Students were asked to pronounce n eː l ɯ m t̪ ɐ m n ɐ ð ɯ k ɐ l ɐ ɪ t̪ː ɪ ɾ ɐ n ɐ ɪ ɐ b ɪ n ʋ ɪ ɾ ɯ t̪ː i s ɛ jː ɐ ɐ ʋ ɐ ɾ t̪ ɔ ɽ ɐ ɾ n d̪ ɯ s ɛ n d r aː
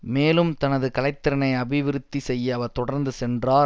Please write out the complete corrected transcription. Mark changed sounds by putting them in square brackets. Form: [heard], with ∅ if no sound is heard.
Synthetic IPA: [m] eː l ɯ m t̪ ɐ [∅] n ɐ ð ɯ k ɐ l ɐ ɪ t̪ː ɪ ɾ ɐ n ɐ ɪ ɐ b ɪ [∅] ʋ ɪ ɾ ɯ t̪ː i s ɛ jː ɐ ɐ ʋ ɐ ɾ t̪ ɔ ɽ ɐ ɾ n d̪ ɯ s ɛ n d r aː